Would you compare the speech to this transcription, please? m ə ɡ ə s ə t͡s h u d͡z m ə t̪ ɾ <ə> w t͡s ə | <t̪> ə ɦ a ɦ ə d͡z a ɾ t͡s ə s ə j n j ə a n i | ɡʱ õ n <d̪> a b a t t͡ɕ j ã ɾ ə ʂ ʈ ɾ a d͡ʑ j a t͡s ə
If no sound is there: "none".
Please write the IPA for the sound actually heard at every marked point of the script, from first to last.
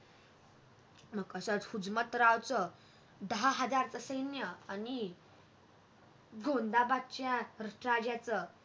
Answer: a, d̪, d̪

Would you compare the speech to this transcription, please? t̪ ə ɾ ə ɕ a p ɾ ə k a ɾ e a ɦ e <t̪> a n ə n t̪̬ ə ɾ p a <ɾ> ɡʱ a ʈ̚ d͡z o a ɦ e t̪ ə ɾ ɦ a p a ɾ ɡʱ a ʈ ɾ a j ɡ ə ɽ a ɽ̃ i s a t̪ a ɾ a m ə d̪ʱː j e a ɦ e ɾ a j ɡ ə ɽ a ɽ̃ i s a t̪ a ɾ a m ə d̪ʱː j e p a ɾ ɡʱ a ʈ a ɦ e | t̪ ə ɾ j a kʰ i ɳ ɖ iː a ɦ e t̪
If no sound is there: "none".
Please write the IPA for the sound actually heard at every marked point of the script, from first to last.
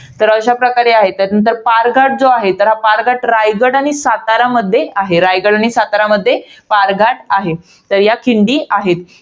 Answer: t̪, ɾ

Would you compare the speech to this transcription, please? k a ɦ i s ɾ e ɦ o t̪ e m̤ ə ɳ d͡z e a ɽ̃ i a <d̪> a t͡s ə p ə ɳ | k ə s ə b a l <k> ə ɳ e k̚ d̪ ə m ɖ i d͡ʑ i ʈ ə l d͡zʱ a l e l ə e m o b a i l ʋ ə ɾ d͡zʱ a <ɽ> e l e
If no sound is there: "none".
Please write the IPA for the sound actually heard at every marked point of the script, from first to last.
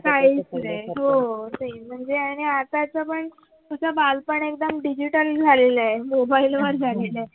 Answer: t̪, p, l

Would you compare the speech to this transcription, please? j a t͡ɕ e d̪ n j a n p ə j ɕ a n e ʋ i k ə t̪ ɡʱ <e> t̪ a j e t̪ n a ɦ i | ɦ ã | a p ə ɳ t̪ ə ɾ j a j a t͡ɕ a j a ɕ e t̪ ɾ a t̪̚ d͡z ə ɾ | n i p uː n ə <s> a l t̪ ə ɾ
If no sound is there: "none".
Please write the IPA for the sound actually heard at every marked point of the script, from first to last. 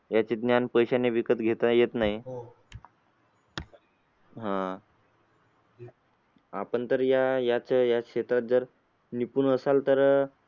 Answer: e, s

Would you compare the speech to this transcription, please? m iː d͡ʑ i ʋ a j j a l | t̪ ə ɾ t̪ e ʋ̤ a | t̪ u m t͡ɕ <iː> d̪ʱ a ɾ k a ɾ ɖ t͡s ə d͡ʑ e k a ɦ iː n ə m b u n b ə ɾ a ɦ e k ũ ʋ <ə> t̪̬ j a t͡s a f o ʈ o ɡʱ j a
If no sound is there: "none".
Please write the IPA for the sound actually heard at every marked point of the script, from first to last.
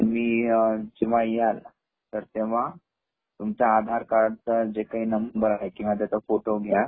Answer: aː, a

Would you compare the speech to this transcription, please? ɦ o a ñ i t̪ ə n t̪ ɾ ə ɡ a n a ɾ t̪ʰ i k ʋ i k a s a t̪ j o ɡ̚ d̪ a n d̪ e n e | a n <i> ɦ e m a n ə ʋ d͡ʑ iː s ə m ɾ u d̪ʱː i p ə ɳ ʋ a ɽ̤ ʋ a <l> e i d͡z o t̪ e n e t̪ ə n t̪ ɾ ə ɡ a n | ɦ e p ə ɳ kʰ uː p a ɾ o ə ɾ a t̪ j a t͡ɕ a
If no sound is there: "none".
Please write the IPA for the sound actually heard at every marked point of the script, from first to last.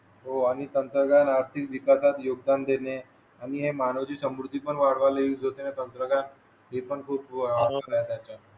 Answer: i, l

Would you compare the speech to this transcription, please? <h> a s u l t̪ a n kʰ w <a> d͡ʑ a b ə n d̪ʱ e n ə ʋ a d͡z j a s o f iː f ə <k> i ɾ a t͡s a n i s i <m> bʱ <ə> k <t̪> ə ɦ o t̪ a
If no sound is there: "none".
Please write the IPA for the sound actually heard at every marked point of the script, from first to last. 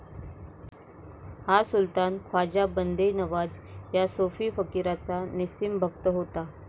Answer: h, a, k, m, ə, t̪

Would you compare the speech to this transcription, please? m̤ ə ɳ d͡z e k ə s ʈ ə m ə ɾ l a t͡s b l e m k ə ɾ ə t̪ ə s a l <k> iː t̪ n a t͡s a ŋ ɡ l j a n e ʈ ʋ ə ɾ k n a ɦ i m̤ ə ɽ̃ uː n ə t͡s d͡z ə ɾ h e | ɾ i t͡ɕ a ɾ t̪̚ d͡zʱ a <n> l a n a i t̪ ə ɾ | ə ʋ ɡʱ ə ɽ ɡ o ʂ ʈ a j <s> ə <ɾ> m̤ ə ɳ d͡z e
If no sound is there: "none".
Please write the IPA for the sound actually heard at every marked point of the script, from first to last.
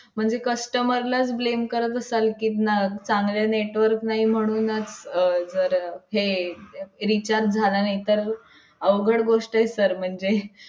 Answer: k, none, s, ɾ

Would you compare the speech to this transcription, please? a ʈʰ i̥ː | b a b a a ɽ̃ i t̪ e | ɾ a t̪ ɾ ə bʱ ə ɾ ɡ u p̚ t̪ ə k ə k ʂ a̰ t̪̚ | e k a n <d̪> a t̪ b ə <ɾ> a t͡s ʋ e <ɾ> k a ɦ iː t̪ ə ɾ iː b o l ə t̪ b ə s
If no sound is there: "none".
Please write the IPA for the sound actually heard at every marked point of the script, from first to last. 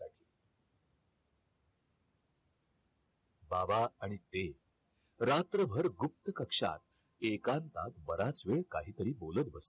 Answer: t̪, ɾ, ɭ

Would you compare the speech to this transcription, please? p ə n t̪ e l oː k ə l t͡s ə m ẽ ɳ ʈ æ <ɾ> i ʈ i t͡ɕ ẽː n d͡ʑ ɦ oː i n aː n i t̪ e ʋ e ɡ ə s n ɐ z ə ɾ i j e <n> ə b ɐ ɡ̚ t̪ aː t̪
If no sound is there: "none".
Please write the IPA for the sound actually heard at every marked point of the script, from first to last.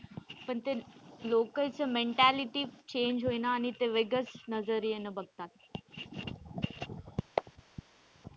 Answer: l, n

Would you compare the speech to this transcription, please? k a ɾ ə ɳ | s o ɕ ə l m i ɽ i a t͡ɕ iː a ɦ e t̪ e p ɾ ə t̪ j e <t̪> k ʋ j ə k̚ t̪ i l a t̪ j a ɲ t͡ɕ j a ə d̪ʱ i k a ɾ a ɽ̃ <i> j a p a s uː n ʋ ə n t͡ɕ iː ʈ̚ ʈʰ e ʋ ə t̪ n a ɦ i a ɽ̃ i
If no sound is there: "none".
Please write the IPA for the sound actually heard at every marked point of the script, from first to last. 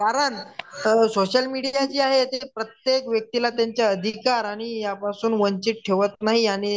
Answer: none, i

